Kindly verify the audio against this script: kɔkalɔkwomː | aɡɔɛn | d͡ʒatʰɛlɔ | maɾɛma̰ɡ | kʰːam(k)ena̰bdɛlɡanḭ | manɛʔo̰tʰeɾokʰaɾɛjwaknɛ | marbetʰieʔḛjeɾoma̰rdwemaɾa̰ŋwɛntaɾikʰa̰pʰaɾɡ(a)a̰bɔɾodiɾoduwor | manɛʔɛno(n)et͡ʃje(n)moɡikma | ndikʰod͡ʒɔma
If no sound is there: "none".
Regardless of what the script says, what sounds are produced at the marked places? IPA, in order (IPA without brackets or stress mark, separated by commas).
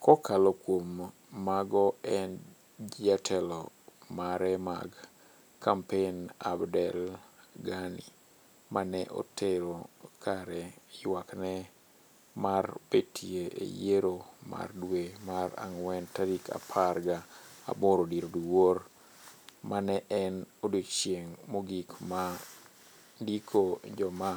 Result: p, a, d, ŋ